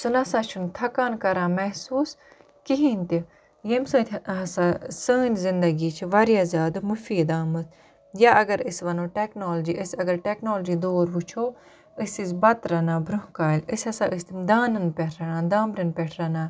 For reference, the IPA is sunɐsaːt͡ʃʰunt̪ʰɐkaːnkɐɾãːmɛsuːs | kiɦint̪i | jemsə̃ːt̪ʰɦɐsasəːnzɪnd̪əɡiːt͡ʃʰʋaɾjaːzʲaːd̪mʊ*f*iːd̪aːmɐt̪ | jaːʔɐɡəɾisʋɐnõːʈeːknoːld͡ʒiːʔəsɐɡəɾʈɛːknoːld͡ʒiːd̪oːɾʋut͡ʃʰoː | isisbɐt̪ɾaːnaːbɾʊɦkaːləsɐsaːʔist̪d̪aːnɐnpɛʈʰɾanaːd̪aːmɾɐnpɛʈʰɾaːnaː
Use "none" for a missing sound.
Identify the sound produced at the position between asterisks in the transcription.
f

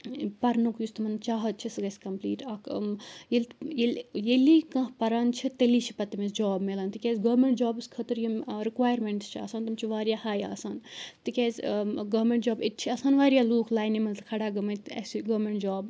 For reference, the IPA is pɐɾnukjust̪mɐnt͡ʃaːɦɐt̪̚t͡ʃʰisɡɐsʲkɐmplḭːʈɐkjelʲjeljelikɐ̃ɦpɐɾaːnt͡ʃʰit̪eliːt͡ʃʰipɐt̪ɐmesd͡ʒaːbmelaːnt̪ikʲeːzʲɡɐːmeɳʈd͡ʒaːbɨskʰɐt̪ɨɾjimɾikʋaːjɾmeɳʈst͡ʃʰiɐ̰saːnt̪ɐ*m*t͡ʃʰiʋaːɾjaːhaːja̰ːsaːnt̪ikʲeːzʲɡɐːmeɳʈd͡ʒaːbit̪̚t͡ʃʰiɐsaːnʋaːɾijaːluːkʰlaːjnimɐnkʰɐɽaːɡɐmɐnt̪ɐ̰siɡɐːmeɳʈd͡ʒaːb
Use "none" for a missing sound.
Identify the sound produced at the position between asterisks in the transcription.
m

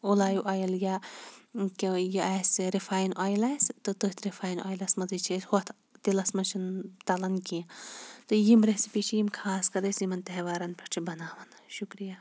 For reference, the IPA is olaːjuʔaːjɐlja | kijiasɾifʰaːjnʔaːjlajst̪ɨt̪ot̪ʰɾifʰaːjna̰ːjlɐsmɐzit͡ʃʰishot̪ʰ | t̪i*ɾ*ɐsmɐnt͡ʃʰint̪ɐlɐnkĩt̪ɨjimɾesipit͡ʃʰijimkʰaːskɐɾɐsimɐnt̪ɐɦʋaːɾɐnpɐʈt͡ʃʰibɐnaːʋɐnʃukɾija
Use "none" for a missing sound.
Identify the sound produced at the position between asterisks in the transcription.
l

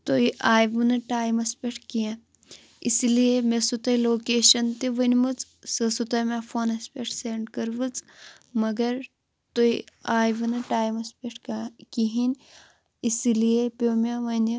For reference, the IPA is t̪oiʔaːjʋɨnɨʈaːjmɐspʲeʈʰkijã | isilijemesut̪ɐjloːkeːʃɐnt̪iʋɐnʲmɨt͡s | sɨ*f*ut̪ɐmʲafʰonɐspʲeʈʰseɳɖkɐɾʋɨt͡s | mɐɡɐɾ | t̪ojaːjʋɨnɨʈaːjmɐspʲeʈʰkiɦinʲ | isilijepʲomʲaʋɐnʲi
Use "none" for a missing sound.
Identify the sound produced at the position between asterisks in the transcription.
s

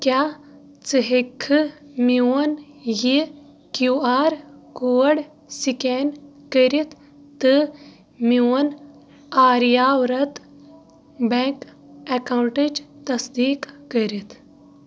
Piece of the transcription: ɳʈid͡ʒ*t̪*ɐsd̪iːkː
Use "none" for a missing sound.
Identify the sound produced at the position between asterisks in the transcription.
t̪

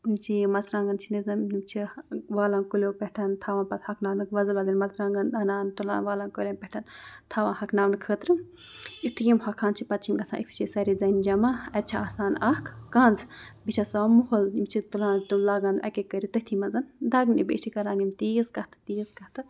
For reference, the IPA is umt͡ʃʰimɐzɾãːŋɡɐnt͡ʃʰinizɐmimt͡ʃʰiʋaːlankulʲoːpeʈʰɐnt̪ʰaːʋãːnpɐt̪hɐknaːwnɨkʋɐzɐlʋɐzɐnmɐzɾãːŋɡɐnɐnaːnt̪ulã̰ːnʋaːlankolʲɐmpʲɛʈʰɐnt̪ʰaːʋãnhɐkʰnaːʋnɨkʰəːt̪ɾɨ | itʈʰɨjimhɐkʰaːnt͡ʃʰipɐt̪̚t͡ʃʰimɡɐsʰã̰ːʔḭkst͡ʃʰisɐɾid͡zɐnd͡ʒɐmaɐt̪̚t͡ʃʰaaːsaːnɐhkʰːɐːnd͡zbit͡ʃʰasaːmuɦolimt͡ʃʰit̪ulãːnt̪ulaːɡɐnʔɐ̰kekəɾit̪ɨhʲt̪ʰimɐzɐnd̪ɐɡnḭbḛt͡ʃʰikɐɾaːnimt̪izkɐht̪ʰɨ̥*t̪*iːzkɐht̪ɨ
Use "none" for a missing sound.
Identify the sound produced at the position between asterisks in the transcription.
t̪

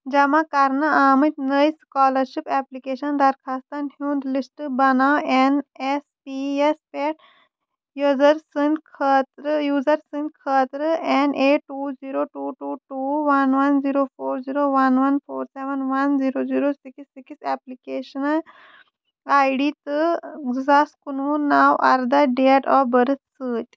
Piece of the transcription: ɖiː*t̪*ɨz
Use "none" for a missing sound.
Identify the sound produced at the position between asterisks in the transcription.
t̪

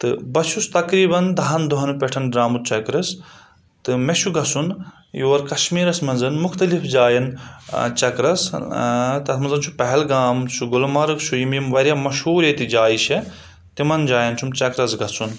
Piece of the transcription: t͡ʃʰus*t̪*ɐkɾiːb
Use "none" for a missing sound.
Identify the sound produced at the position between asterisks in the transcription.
t̪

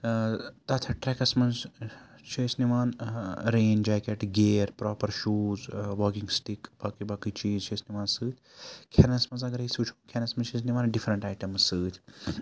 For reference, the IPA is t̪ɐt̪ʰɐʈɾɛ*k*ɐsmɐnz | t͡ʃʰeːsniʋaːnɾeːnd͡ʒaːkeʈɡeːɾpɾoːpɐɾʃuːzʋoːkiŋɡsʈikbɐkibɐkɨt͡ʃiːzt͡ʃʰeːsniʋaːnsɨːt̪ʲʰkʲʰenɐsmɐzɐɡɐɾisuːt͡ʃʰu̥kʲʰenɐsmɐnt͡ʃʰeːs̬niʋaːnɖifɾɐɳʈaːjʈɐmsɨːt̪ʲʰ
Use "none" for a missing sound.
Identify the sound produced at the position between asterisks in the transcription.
k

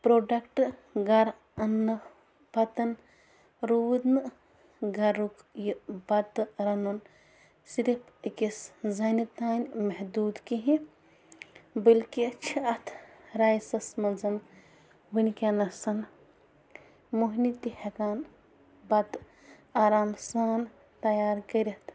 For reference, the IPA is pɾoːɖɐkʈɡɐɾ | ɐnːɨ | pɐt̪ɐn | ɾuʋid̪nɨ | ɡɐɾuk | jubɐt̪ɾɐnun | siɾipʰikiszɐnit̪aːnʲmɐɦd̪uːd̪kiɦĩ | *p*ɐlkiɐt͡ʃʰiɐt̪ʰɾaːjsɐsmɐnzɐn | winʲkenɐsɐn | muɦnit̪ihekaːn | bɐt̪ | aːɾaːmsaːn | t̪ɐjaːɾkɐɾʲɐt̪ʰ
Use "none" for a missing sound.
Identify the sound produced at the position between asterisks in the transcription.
b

